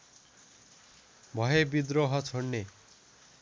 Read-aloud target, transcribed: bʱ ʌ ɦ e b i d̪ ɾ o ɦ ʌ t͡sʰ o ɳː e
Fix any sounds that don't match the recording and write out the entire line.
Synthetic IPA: bʱ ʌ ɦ e b i d̪ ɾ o ɦ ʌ t͡sʰ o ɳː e